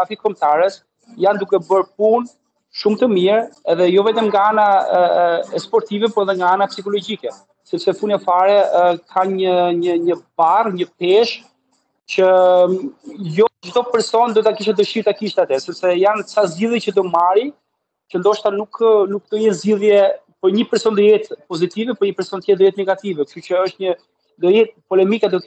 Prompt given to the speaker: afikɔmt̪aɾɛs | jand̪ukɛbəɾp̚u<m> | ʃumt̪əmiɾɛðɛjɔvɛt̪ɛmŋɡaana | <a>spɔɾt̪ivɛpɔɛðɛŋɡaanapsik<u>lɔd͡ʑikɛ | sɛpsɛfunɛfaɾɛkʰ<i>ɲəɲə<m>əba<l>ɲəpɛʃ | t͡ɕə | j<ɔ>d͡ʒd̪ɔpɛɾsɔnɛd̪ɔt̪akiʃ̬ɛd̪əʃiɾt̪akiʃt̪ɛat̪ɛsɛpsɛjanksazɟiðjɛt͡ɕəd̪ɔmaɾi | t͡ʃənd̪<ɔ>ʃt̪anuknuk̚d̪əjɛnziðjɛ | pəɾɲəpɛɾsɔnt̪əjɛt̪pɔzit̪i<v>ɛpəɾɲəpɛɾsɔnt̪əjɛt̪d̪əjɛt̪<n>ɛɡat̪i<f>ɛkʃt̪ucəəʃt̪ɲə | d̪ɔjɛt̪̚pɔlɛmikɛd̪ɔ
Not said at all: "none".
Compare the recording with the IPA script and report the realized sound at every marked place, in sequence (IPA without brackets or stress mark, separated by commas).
n, ɛ, ɔ, a, ɲ, r, ɔ, ɔ, v, n, v